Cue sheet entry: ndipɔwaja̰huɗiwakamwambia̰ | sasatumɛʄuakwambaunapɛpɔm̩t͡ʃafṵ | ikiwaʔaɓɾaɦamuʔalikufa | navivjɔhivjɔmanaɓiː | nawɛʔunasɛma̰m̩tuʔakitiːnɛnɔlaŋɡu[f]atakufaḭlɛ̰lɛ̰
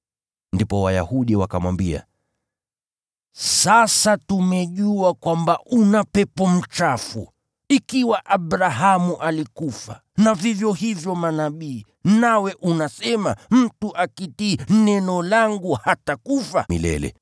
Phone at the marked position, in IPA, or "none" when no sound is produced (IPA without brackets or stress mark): h